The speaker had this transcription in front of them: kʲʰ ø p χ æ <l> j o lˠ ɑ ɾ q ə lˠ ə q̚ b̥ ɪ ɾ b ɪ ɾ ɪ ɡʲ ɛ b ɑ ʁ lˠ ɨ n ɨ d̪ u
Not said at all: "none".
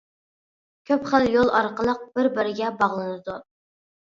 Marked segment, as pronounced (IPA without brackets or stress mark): l